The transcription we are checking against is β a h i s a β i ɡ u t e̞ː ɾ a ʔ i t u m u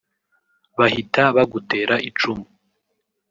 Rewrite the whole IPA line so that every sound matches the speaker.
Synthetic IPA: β a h i t a β a ɡ u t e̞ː ɾ a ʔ i t͡ʃ u m u